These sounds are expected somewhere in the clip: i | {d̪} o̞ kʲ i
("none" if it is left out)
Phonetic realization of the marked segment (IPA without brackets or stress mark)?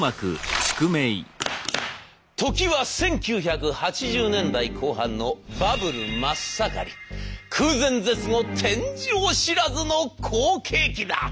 t̪